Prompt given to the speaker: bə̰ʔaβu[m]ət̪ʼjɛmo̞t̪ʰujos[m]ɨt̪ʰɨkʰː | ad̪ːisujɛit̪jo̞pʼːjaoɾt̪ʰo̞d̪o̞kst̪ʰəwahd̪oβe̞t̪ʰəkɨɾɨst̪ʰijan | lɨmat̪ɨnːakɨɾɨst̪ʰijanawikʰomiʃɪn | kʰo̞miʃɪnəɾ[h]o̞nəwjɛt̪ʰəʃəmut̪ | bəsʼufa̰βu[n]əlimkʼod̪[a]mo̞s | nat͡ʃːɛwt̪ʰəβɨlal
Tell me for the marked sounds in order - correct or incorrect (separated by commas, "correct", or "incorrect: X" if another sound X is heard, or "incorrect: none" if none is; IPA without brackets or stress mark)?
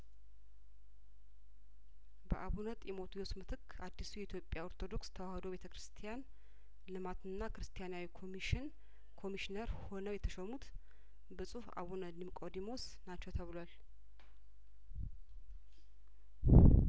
incorrect: n, correct, correct, correct, incorrect: i